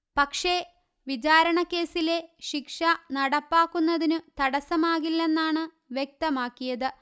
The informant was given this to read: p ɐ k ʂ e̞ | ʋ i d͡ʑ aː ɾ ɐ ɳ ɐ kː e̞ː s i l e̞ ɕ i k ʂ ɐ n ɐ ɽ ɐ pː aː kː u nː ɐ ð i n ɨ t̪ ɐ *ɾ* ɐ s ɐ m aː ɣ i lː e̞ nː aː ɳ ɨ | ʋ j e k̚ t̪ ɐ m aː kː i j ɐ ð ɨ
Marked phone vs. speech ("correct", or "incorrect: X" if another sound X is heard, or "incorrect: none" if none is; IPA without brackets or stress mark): incorrect: ɽ